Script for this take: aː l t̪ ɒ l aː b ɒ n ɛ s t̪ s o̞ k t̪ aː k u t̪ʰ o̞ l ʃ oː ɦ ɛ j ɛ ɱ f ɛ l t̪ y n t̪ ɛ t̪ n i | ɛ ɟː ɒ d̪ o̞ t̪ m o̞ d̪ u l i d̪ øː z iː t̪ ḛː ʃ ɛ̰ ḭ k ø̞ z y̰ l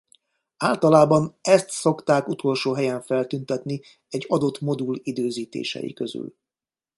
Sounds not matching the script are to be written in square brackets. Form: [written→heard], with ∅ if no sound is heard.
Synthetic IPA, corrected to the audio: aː l t̪ ɒ l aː b ɒ n ɛ s t̪ s o̞ k t̪ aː k u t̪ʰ o̞ l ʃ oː ɦ ɛ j ɛ ɱ f ɛ l t̪ y n t̪ ɛ t̪ n i | ɛ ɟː ɒ d̪ o̞ t̪ m o̞ d̪ u l i d̪ øː z iː t̪ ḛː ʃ ɛ̰ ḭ k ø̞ z y̰ l